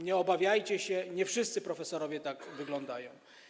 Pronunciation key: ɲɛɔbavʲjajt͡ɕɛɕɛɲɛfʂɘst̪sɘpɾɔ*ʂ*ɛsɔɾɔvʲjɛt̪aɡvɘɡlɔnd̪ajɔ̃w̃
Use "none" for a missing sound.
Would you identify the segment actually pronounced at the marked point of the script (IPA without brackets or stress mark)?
f